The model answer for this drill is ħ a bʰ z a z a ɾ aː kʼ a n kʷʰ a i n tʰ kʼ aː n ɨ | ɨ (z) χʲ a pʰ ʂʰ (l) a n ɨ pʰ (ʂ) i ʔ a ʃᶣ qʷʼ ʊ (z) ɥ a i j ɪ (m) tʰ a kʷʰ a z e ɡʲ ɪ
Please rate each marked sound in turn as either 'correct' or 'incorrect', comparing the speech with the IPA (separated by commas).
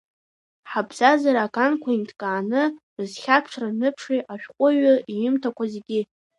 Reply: correct, incorrect, correct, incorrect, correct